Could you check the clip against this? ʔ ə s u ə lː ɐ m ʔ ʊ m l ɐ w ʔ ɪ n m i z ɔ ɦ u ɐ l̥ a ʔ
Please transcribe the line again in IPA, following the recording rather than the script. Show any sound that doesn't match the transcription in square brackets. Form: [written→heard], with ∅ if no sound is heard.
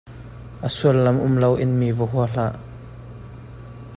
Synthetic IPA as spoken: ʔ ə s u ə lː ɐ m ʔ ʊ m l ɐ w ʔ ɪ n m i [z→v] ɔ ɦ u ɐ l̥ a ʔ